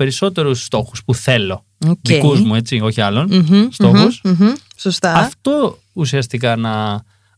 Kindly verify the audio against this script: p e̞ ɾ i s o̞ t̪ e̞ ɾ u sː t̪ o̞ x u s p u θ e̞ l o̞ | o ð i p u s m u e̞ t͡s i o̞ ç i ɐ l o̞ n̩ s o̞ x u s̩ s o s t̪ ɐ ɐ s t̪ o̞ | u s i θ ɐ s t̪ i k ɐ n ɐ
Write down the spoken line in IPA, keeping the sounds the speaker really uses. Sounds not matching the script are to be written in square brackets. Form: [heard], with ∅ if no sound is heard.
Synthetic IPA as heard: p e̞ ɾ i s o̞ t̪ e̞ ɾ u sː t̪ o̞ x u s p u θ e̞ l o̞ | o ð i [k] u [z] m u e̞ t͡s i o̞ ç i ɐ l o̞ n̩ s o̞ x u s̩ s o s t̪ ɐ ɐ [f] t̪ o̞ | u s i [∅] ɐ s t̪ i k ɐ n ɐ